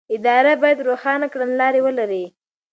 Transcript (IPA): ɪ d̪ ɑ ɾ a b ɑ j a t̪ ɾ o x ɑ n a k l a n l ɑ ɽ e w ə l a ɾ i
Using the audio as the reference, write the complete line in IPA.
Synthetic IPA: ɪ d̪ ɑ ɾ a b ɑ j a d̪ ɾ o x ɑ n a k ɽ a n l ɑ ɾ e w ə l a ɾ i